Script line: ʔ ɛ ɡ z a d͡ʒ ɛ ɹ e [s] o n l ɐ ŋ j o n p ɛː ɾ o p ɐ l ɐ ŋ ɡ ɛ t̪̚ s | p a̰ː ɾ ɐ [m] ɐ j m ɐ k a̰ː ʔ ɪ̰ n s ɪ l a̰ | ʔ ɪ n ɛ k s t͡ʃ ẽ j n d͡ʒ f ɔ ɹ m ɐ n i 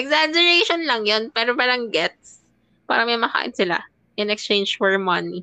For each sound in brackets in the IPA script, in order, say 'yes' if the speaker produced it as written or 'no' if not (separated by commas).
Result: no, yes